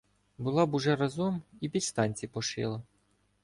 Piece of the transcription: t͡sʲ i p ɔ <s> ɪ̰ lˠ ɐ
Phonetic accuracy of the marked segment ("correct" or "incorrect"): incorrect